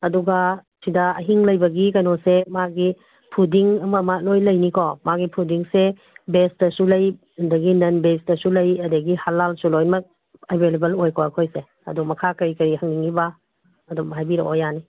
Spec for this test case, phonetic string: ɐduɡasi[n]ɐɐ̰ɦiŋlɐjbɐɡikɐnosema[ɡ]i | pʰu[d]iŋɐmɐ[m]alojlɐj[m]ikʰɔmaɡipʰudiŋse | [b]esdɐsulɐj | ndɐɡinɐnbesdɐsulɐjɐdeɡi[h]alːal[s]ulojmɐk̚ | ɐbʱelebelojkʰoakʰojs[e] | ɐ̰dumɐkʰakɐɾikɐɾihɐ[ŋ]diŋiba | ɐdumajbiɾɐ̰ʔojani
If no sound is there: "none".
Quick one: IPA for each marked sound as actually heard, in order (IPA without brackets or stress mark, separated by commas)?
d, ɡ, d, m, n, b, h, s, e, ŋ